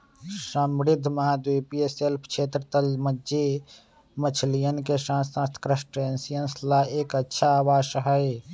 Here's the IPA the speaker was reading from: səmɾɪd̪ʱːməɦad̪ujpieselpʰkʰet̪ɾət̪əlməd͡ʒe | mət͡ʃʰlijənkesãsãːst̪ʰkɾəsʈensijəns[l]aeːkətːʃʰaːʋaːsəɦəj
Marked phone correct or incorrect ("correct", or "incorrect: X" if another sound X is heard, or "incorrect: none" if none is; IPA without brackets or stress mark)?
correct